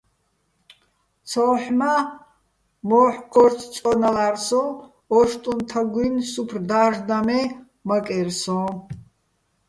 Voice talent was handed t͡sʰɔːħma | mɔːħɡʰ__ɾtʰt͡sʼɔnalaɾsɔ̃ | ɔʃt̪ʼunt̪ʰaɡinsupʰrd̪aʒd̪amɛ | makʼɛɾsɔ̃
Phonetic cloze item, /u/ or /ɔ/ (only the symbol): ɔ